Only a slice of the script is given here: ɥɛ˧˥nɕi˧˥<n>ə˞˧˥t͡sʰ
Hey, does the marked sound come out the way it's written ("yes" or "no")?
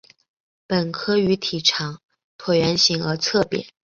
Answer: no